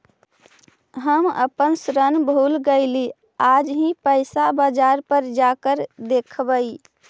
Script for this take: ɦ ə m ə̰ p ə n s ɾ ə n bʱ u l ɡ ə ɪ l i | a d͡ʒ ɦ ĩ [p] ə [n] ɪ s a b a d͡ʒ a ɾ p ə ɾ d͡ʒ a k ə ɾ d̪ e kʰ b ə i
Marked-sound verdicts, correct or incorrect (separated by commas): correct, incorrect